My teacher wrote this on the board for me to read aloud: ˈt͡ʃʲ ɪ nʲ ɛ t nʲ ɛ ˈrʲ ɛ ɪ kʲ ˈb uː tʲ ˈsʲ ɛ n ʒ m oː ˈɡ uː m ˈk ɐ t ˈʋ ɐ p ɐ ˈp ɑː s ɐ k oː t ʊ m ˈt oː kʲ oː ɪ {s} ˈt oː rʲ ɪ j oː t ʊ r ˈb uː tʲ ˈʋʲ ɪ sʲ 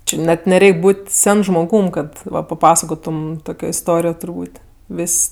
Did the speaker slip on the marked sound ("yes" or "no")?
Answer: no